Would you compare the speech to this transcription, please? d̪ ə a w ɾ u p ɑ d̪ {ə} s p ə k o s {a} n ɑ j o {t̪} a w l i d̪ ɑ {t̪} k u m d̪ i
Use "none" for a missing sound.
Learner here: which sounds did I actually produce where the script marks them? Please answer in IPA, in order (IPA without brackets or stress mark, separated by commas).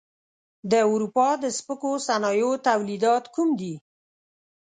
ə, a, t̪, t̪